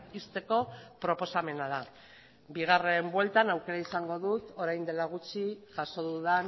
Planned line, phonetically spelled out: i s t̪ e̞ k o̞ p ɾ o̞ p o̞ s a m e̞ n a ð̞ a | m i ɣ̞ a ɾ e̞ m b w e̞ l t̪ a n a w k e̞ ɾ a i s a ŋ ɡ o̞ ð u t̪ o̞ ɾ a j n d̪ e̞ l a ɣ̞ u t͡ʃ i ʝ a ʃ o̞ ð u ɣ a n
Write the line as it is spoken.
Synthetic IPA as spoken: i s t̪ e̞ k o̞ p ɾ o̞ p o̞ s a m e̞ n a ð̞ a | b i ɣ̞ a r e̞ m b w e̞ l t̪ a n a w k e̞ ɾ a i s a ŋ ɡ o̞ ð u t̪ o̞ ɾ a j n d̪ e̞ l a ɣ̞ u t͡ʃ i ʝ a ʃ o̞ ð u ð a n